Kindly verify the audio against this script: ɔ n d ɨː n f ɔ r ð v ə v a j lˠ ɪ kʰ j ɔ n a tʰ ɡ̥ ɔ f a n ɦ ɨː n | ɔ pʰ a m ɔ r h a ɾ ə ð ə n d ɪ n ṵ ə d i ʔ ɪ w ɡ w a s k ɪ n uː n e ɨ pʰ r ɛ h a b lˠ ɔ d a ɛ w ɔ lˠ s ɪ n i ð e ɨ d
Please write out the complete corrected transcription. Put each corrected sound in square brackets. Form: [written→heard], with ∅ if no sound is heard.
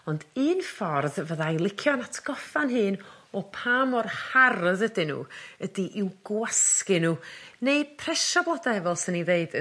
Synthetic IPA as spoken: ɔ n d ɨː n f ɔ r ð v ə [v→ð] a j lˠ ɪ kʰ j ɔ n a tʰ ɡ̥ ɔ f a n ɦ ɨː n | ɔ pʰ a m ɔ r h a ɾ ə ð ə [n→∅] d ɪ n ṵ ə d i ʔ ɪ w ɡ w a s k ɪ n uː n e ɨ pʰ r ɛ [h→ʃ] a b lˠ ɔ d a ɛ [w→v] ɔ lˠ s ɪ n i ð e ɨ d